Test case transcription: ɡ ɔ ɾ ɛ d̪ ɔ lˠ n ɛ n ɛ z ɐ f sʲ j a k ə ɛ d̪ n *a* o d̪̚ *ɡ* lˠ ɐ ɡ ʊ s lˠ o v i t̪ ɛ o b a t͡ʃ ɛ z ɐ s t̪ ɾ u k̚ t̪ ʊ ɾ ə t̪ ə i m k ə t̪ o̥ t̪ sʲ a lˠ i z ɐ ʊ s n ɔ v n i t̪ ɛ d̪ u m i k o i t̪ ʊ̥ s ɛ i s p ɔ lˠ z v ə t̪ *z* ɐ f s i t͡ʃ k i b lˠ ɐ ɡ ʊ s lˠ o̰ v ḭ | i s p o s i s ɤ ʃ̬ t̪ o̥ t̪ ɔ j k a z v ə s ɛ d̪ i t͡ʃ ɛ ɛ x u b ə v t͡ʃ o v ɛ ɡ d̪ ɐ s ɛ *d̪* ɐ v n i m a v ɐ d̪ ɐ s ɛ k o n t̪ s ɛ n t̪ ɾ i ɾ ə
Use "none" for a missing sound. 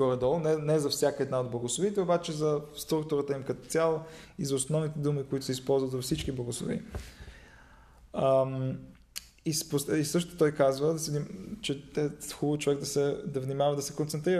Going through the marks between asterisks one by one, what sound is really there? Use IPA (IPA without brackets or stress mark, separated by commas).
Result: a, b, z, d̪